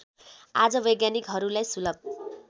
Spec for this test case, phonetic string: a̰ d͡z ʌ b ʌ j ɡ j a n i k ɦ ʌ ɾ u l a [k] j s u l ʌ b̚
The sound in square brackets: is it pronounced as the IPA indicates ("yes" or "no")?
no